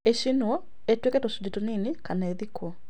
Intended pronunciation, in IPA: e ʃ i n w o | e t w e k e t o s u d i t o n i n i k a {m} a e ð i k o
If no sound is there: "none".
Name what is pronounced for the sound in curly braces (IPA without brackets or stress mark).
n